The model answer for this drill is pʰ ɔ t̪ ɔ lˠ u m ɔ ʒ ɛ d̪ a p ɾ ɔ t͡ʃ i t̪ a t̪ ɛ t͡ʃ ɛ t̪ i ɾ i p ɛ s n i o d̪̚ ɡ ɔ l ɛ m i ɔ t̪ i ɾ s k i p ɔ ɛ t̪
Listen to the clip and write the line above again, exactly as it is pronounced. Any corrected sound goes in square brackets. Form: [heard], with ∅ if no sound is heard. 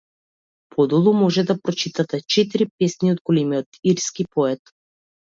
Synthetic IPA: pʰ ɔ [d̪] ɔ lˠ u m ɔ ʒ ɛ d̪ a p ɾ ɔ t͡ʃ i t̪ a t̪ ɛ t͡ʃ ɛ t̪ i ɾ i p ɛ s n i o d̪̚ ɡ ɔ l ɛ m i ɔ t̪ i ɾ s k i p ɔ ɛ t̪